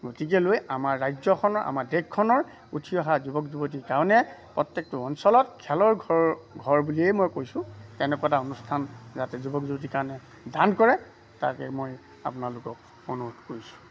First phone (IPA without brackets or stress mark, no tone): ɡ